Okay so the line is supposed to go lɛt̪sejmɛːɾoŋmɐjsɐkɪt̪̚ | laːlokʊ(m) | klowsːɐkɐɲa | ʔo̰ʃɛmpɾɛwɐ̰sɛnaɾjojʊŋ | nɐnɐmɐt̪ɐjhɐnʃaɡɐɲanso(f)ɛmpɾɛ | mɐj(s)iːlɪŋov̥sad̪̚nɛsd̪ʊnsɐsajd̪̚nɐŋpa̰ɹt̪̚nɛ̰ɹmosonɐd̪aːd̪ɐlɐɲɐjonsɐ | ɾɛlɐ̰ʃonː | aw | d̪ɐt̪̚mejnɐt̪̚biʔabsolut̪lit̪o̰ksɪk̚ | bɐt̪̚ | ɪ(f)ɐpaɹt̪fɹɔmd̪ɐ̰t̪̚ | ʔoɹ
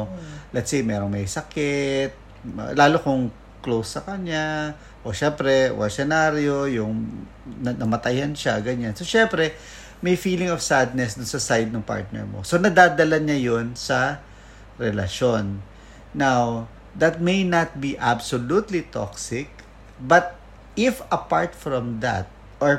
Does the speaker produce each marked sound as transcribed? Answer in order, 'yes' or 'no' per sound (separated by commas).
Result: no, no, no, yes